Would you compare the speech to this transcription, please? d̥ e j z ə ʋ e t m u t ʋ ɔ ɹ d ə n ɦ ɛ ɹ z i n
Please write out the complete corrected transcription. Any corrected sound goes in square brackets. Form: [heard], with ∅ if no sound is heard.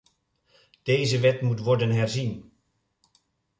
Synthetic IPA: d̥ e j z ə ʋ [ɛ] t m u t ʋ ɔ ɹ d ə n ɦ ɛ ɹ z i n

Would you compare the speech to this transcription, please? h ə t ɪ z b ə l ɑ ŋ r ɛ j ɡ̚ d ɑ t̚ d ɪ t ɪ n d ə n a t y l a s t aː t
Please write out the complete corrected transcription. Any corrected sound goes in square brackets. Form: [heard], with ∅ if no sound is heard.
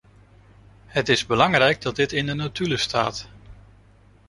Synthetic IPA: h ə t ɪ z b ə l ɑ ŋ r ɛ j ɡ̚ d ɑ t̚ d ɪ t ɪ n d ə n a t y l [ə] s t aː t

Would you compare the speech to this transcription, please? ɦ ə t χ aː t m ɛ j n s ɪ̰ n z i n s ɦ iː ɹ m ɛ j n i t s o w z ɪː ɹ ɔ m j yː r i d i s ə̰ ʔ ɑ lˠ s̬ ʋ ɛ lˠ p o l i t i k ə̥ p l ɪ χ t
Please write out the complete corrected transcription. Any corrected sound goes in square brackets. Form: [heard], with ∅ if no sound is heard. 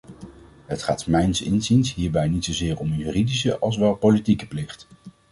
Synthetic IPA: ɦ ə t χ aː t m ɛ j n s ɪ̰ n z i n s ɦ iː ɹ [b] ɛ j n i t s o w z ɪː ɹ ɔ m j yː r i d i s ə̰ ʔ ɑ lˠ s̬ ʋ ɛ lˠ p o l i t i k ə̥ p l ɪ χ t

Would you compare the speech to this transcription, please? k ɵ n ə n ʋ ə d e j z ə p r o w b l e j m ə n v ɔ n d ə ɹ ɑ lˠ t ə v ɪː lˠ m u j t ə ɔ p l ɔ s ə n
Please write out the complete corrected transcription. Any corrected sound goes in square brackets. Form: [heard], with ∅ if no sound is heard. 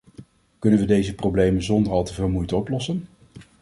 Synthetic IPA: k ɵ n ə n ʋ ə d e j z ə p r o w b l e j m ə n [z] ɔ n d ə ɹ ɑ lˠ t ə v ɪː lˠ m u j t ə ɔ p l ɔ s ə n

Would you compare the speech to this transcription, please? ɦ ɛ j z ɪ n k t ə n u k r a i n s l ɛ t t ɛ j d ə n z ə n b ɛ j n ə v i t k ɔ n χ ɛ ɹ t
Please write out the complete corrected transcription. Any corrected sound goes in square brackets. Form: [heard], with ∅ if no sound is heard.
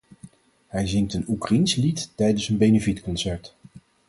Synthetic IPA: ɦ ɛ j z ɪ [ŋ] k t ə n u k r a i n s l [i] t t ɛ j d ə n [s] ə n b [e] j n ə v i t k ɔ n [s] ɛ ɹ t

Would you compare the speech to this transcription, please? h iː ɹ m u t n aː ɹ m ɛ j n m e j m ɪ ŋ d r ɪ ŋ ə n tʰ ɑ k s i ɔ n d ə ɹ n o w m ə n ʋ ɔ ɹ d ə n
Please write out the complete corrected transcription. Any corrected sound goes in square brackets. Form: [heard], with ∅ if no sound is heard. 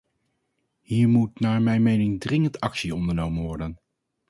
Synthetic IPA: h iː ɹ m u t n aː ɹ m ɛ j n m e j [n] ɪ ŋ d r ɪ ŋ ə n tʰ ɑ k s i ɔ n d ə ɹ n o w m ə n ʋ ɔ ɹ d ə n

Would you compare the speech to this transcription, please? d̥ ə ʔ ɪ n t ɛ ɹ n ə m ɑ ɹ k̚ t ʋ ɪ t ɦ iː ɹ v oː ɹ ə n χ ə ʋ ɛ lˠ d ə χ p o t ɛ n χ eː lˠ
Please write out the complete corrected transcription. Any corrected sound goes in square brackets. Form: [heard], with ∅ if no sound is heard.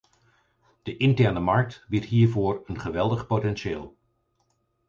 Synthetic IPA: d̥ ə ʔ ɪ n t ɛ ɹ n ə m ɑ ɹ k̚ t ʋ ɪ t ɦ iː ɹ v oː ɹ ə n χ ə ʋ ɛ lˠ d ə χ p o t ɛ n [ʃ] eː lˠ

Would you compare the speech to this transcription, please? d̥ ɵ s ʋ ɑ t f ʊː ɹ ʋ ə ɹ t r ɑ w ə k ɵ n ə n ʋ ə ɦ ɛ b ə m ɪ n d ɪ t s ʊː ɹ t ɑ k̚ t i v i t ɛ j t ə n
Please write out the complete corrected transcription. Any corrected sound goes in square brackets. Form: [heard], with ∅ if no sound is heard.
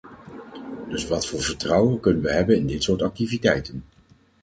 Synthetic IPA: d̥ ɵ s ʋ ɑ t f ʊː ɹ [v] ə ɹ t r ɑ w ə k ɵ n ə n ʋ ə ɦ ɛ b ə [n] ɪ n d ɪ t s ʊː ɹ t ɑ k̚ t i v i t ɛ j t ə n

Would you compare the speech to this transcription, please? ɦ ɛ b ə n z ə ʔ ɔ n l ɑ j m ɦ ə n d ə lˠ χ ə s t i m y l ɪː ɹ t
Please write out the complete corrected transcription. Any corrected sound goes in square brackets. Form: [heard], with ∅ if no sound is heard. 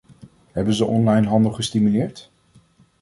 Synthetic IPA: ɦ ɛ b ə n z ə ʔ ɔ n l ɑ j [n] ɦ [ɑ] n d ə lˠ χ ə s t i m y l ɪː ɹ t

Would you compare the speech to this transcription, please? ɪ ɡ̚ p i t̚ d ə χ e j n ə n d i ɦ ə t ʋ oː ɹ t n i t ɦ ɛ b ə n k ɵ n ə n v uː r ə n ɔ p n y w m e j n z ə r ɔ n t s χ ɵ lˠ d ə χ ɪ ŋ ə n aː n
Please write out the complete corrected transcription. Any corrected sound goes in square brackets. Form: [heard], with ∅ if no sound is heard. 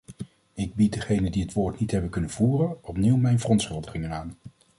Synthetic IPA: ɪ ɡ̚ [b] i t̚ d ə χ e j n ə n d i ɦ ə t ʋ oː ɹ t n i t ɦ ɛ b ə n k ɵ n ə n v uː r ə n ɔ p n [i] w m [ɛ] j n [v] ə r ɔ n t s χ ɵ lˠ d ə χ ɪ ŋ ə n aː n

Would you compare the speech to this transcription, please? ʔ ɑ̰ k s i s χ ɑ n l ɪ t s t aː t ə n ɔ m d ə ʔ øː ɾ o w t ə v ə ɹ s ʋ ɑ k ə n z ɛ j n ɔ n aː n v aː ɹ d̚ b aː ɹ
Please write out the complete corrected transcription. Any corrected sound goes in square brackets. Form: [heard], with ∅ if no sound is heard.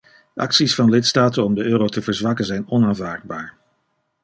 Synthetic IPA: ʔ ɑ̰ k s i s [f] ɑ n l ɪ t s t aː t ə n ɔ m d ə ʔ øː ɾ o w t ə v ə ɹ [z] ʋ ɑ k ə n z ɛ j n ɔ n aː n v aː ɹ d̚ b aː ɹ

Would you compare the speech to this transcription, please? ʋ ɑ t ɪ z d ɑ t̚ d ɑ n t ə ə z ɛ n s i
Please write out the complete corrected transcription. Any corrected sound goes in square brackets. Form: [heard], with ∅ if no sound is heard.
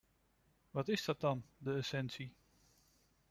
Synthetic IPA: ʋ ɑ t ɪ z d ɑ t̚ d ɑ n [d] ə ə [s] ɛ n s i

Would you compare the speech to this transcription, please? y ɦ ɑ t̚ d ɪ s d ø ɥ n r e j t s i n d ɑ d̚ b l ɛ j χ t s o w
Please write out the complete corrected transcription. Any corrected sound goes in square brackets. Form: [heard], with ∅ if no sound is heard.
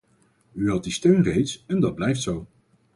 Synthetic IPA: y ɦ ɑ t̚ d [i] s [t] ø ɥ n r e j t s [ɛ] n d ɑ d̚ b l ɛ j [f] t s o w

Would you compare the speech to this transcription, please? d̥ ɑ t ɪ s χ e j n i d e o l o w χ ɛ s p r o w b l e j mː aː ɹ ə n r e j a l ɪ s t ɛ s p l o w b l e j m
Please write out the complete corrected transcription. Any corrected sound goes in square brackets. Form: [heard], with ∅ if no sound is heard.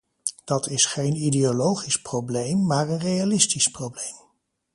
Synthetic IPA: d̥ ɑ t ɪ s χ e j n i d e o l o w χ [i] s p r o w b l e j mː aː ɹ ə n r e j a l ɪ s t [i] s p [r] o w b l e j m

